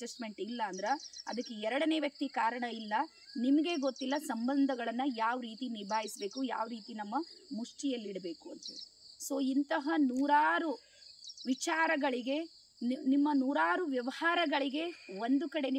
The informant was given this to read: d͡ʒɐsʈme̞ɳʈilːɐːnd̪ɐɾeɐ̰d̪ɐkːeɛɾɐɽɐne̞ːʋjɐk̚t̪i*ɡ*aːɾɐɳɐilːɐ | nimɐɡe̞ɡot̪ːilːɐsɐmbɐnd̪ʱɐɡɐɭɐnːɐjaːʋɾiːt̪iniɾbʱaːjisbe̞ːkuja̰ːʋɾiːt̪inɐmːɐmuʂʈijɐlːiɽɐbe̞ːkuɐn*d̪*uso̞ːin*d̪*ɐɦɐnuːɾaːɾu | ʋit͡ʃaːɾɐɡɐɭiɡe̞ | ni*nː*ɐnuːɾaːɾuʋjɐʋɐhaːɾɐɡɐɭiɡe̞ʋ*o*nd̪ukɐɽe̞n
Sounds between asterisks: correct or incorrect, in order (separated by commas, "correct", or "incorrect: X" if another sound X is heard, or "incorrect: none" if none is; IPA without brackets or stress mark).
incorrect: k, incorrect: t̪, incorrect: t̪, incorrect: mː, correct